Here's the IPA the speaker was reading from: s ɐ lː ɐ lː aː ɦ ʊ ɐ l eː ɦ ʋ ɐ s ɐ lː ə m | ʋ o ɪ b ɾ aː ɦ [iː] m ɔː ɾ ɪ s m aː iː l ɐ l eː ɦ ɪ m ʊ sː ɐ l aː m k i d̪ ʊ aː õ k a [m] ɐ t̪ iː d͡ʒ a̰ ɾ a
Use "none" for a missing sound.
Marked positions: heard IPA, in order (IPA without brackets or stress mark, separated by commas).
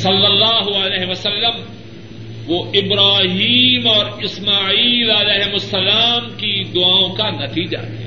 iː, n